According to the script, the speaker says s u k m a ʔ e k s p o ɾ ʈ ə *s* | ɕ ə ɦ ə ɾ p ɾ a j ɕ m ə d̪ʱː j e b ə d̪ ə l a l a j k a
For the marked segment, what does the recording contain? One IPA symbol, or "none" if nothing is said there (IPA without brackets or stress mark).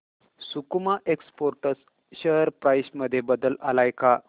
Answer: s